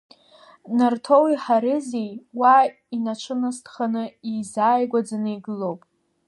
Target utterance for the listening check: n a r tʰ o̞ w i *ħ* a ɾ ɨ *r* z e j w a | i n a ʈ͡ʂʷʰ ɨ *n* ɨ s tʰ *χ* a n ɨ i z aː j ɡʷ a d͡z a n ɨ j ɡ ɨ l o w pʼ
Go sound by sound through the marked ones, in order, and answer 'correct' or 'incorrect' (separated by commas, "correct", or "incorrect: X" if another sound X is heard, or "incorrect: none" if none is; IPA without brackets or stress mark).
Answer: correct, incorrect: none, correct, correct